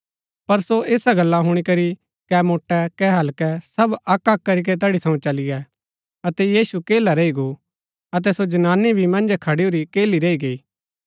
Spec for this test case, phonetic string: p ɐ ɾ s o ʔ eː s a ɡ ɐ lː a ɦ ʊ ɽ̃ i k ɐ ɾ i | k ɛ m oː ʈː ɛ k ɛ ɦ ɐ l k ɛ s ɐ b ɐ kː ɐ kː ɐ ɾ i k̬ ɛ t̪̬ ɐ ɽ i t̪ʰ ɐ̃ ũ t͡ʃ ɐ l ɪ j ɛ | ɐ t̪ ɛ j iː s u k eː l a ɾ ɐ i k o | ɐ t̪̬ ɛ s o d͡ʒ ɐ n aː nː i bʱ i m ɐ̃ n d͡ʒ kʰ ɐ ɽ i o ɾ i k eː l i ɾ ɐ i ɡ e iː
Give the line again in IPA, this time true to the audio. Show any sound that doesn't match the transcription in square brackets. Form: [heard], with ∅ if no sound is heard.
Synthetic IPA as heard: p ɐ ɾ s o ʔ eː s a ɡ ɐ lː a ɦ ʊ ɽ̃ i k ɐ ɾ i | k ɛ m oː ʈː ɛ k ɛ ɦ ɐ l k ɛ s ɐ b ɐ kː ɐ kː ɐ ɾ i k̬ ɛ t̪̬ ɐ ɽ i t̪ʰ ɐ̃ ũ t͡ʃ ɐ l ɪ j ɛ | ɐ t̪ ɛ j iː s u k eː l a ɾ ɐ i [ɡ] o | ɐ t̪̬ ɛ s o d͡ʒ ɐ n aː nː i bʱ i m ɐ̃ n d͡ʒ kʰ ɐ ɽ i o ɾ i k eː l i ɾ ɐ i ɡ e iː